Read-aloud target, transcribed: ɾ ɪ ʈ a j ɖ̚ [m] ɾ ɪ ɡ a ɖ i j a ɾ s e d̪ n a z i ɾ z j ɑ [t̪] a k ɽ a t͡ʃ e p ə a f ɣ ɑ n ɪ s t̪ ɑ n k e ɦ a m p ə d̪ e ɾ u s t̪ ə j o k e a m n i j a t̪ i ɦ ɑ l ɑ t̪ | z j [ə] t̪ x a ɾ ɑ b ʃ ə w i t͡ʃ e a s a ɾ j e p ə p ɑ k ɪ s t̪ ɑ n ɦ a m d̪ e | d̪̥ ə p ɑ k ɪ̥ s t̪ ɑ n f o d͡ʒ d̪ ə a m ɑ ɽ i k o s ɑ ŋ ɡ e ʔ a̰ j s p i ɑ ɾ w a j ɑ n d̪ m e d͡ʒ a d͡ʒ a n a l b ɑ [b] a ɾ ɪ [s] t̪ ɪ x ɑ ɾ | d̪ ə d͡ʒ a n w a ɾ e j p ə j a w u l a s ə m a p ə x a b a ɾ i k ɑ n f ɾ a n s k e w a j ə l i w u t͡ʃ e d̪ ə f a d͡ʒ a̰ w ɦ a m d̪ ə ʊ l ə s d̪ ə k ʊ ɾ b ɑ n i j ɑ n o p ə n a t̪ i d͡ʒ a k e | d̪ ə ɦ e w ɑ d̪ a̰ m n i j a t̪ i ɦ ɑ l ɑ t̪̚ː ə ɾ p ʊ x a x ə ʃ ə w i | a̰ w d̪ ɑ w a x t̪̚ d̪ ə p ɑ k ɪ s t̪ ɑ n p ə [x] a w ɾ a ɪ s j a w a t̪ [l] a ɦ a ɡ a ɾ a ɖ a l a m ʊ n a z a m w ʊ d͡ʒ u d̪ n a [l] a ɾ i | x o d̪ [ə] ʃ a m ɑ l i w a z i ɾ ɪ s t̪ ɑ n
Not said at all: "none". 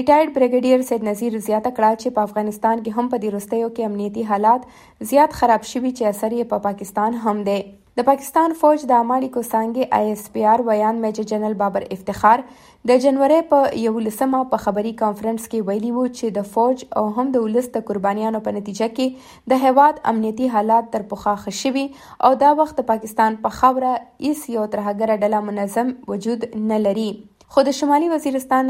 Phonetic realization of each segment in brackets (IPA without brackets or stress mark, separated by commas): b, t̪, ɑ, b, f, x, ɾ, l, ə